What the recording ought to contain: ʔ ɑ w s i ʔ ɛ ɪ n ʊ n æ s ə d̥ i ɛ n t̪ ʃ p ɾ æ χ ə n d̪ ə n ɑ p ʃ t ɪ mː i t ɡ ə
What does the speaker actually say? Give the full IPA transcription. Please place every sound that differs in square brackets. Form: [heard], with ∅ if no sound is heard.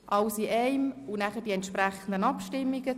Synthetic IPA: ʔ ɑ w s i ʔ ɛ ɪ [m] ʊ n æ [χ] ə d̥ i ɛ n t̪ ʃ p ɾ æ χ ə n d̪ ə n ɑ p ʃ t ɪ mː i [∅] ɡ ə